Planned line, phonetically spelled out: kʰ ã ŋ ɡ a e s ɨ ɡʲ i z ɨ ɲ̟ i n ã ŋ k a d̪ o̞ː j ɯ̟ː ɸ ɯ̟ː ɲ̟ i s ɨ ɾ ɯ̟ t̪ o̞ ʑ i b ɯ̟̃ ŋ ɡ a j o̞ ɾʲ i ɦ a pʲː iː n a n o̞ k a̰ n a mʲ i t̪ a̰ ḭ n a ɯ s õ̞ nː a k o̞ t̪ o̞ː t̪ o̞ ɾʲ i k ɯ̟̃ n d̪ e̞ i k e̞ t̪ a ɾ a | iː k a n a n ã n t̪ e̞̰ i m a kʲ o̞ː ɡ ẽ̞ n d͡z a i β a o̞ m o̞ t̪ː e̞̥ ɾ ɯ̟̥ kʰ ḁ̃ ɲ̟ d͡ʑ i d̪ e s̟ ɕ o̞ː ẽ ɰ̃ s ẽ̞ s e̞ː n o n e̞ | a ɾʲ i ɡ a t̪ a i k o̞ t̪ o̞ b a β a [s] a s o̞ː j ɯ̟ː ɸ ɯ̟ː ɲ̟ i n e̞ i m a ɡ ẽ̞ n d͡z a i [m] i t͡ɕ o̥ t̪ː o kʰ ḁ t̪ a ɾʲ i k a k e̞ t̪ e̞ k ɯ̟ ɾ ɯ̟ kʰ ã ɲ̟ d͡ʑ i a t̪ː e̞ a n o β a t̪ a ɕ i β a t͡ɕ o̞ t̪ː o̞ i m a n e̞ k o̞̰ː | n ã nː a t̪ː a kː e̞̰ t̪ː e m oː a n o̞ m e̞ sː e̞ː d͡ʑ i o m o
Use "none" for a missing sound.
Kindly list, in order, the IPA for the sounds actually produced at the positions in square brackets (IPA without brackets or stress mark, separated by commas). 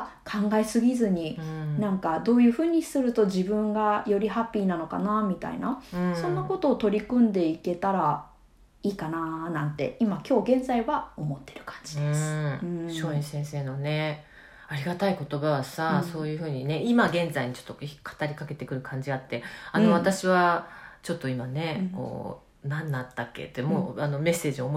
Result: s, ɲ